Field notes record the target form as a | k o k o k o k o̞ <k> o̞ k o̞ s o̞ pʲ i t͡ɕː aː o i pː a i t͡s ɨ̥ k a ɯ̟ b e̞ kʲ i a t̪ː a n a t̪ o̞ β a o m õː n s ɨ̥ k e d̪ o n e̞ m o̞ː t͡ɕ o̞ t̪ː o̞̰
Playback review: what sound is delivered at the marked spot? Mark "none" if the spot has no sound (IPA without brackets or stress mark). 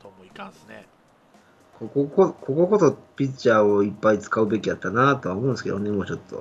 k